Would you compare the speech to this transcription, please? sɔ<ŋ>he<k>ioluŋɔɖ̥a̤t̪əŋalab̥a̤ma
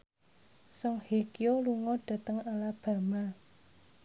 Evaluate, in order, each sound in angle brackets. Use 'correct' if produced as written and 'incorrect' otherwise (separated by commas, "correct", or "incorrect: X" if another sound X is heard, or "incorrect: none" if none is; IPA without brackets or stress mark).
correct, correct